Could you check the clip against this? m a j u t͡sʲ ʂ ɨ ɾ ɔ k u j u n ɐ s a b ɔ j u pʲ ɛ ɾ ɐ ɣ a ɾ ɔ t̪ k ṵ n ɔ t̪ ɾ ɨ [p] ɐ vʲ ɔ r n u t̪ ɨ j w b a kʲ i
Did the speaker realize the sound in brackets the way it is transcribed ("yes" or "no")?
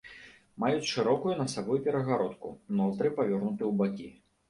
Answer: yes